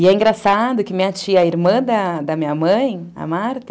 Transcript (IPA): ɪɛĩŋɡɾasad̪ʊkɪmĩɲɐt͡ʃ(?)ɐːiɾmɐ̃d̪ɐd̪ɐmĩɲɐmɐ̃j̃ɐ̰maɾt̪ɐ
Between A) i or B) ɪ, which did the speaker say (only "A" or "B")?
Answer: A